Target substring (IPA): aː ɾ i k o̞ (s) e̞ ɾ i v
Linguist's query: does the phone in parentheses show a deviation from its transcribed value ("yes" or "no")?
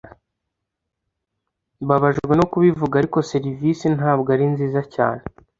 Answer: no